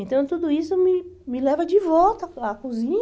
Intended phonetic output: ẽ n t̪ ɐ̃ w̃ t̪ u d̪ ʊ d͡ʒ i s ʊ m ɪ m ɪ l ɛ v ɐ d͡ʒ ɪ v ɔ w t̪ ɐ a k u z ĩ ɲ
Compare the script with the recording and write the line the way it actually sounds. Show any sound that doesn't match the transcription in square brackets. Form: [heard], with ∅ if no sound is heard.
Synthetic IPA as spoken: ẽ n t̪ ɐ̃ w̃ t̪ u d̪ ʊ [∅] i s ʊ m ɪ m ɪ l ɛ v ɐ d͡ʒ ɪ v ɔ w t̪ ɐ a k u z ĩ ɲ

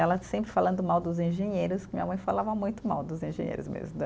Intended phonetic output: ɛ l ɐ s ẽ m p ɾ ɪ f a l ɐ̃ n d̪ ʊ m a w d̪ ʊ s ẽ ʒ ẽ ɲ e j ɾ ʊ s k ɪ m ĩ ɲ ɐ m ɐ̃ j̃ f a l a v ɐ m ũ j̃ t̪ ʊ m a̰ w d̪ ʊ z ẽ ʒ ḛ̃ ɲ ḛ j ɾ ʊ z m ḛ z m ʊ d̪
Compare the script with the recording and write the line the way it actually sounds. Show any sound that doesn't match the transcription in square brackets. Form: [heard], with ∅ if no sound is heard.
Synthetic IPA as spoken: ɛ l ɐ s ẽ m p ɾ ɪ f a l ɐ̃ n d̪ ʊ m a w d̪ ʊ [z] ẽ ʒ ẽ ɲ e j ɾ ʊ s k ɪ m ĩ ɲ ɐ m ɐ̃ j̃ f a l a v ɐ m ũ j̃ t̪ ʊ m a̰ w d̪ ʊ z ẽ ʒ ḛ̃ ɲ ḛ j ɾ ʊ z m ḛ z m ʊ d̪

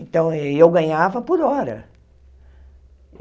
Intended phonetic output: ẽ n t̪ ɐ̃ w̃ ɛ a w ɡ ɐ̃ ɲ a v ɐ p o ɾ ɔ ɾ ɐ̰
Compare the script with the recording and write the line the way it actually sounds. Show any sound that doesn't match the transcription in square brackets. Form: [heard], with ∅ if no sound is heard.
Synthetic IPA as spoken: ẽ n t̪ ɐ̃ w̃ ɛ [e] w ɡ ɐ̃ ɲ a v ɐ p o ɾ ɔ ɾ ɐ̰

